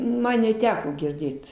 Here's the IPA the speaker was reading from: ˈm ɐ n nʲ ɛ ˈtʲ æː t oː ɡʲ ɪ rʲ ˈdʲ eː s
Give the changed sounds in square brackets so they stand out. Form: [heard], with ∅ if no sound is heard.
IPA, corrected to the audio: ˈm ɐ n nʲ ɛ ˈtʲ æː [k] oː ɡʲ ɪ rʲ ˈdʲ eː [t]